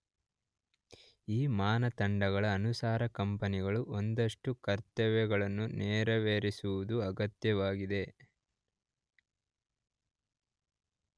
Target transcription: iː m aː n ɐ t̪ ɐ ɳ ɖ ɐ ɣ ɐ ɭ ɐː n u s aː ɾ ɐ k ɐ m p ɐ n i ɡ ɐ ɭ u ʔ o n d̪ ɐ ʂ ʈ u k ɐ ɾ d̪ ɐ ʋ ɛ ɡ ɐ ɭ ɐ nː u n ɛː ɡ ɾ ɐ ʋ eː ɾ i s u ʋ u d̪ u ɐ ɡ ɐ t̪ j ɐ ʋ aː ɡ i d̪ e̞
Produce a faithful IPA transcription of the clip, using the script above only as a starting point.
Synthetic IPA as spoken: iː m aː n ɐ t̪ ɐ ɳ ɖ ɐ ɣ ɐ ɭ ɐː n u s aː ɾ ɐ k ɐ m p ɐ n i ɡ ɐ ɭ u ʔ o n d̪ ɐ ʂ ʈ u k ɐ ɾ t̪ ɐ ʋ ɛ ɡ ɐ ɭ ɐ nː u n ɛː ɾ ɐ ʋ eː ɾ i s u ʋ u d̪ u ɐ ɡ ɐ t̪ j ɐ ʋ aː ɡ i d̪ e̞